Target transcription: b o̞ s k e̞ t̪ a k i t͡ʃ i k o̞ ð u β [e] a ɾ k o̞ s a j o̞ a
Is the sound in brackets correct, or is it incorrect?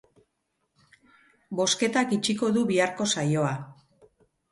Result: incorrect